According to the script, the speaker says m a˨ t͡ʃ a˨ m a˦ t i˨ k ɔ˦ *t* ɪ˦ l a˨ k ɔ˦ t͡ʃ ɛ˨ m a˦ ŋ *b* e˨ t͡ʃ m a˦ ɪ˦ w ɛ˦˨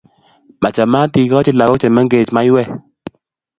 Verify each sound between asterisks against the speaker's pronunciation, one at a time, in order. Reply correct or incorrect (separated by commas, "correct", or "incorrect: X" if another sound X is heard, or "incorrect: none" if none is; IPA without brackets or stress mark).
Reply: incorrect: t͡ʃ, incorrect: ɡ